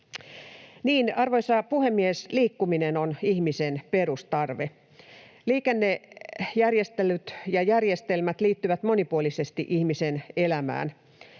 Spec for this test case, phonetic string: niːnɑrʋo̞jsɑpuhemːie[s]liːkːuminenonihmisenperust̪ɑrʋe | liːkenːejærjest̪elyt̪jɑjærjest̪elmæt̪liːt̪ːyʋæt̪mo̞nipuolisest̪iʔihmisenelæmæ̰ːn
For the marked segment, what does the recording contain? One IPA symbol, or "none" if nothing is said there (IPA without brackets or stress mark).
s